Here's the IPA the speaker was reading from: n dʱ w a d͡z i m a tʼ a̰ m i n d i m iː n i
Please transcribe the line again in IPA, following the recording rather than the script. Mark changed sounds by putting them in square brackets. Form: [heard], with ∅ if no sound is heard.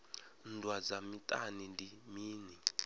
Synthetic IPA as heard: n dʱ w a d͡z [a] m [i] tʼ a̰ [n] i n d i m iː n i